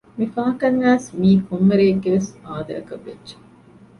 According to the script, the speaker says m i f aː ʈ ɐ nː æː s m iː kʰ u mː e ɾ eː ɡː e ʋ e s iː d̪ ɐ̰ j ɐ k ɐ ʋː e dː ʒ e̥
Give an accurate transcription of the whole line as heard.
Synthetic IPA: m i f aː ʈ ɐ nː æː s m iː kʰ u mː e ɾ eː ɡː e ʋ e s aː d̪ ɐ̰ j ɐ k ɐ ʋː e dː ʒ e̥